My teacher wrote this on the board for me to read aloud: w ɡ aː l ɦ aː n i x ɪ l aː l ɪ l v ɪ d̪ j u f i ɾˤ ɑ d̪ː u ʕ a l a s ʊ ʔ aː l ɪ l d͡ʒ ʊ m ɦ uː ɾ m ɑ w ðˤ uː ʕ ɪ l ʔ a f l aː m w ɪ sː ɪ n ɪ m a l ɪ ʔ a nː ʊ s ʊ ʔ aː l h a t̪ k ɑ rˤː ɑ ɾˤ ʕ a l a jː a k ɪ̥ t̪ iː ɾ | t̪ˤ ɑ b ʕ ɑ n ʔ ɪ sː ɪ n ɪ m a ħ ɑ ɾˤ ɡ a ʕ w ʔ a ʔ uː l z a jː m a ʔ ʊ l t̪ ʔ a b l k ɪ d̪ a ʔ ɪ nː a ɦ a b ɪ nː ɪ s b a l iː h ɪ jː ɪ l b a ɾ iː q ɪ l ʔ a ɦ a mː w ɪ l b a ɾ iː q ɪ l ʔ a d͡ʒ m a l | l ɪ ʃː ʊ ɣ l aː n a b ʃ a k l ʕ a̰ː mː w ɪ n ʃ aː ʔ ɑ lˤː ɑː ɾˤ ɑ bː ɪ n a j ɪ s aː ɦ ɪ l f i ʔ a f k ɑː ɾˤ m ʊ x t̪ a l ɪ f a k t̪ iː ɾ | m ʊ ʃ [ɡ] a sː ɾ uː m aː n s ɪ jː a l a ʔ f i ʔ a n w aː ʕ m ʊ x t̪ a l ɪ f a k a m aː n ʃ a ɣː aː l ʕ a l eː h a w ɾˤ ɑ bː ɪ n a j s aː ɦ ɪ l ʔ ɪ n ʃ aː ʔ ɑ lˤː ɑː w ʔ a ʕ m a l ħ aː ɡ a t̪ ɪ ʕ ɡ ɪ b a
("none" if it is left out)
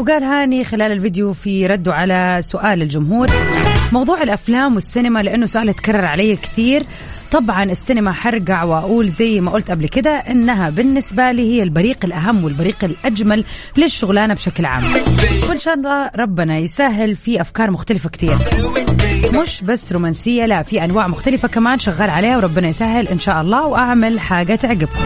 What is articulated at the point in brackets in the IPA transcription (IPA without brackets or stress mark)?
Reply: b